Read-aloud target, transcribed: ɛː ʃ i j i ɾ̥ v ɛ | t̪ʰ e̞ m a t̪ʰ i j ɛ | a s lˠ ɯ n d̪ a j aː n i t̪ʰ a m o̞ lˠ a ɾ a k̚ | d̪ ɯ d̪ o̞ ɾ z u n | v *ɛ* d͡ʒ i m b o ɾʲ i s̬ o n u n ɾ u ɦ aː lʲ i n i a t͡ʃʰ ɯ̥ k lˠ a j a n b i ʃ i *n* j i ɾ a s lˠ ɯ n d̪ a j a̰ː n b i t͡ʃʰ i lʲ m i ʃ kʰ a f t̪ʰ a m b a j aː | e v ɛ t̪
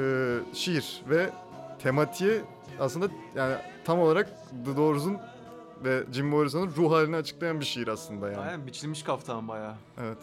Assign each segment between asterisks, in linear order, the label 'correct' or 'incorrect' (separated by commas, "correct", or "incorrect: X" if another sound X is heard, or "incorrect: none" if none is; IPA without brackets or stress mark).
correct, incorrect: none